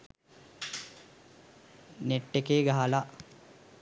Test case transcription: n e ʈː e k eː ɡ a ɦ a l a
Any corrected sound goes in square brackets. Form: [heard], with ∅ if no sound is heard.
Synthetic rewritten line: n e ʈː e k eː ɡ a ɦ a l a